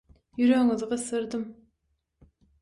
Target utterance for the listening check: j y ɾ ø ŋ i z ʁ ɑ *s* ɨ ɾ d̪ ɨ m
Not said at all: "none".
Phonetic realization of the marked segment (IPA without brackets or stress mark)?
s